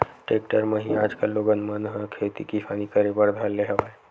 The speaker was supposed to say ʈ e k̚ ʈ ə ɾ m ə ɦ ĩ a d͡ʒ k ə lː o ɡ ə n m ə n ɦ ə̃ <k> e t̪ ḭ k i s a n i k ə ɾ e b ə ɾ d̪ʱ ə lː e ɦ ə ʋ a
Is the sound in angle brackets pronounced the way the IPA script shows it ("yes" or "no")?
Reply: no